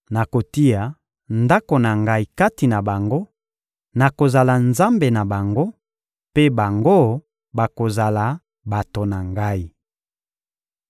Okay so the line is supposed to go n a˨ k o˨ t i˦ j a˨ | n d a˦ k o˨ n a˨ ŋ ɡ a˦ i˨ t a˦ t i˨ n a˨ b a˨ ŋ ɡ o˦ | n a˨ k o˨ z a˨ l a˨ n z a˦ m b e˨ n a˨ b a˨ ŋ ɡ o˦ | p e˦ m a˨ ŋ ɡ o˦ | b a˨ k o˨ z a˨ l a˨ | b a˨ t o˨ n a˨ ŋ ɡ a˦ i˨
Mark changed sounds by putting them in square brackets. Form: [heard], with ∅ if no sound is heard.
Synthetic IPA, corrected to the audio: n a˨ k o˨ t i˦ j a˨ | n d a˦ k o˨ n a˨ ŋ ɡ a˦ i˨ [k] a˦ t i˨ n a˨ b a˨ ŋ ɡ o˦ | n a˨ k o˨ z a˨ l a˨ n z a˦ m b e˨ n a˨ b a˨ ŋ ɡ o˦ | p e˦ [b] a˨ ŋ ɡ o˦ | b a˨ k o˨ z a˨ l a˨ | b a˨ t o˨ n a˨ ŋ ɡ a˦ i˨